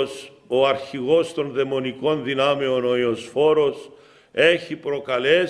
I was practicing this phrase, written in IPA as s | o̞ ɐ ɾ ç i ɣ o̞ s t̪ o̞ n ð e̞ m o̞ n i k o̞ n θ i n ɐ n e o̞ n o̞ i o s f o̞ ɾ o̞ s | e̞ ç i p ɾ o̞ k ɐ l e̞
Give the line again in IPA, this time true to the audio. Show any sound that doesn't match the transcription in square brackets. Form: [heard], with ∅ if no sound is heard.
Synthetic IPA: s | o̞ ɐ ɾ ç i ɣ o̞ s t̪ o̞ n ð e̞ m o̞ n i k o̞ n [ð] i n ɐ [m] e o̞ n o̞ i o s f o̞ ɾ o̞ s | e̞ ç i p ɾ o̞ k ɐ l e̞